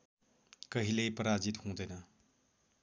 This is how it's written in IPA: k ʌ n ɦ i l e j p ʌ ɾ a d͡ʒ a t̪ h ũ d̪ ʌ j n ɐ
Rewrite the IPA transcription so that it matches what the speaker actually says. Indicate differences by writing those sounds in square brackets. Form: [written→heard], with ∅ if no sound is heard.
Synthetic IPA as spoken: k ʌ [n→∅] ɦ i l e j p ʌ ɾ a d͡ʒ [a→i] t̪ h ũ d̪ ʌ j n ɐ